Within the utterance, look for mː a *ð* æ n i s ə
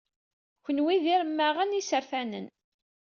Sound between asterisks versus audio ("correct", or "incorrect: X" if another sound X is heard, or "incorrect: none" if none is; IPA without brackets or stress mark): incorrect: ʁ